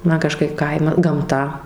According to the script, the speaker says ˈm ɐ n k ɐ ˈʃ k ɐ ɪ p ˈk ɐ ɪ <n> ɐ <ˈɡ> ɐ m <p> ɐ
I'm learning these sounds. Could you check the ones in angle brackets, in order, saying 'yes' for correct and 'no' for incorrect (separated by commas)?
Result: no, yes, no